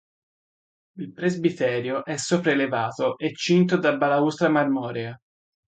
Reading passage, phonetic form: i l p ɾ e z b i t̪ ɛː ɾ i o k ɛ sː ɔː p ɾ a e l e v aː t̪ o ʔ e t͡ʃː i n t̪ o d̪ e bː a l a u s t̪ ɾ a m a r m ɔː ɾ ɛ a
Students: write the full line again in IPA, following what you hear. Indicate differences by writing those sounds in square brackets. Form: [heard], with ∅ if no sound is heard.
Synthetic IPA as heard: i l p ɾ e z b i t̪ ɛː ɾ [j] o [ʔ] ɛ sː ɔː p ɾ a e l e v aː t̪ o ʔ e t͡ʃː i n t̪ o d̪ [a] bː a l a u s t̪ ɾ a m a r m ɔː ɾ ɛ a